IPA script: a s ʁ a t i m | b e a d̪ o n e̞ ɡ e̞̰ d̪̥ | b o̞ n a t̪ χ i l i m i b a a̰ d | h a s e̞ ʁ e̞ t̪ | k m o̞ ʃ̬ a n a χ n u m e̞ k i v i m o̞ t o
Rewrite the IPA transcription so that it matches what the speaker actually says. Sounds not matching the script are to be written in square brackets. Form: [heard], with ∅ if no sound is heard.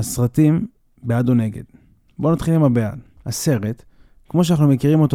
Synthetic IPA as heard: a s ʁ a t i m | b e a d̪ o n e̞ ɡ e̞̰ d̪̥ | b o̞ n a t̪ χ i l i m [a] b [e] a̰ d | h a s e̞ ʁ e̞ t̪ | k m o̞ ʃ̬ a n a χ n u m e̞ k i [ʁ] i m o̞ t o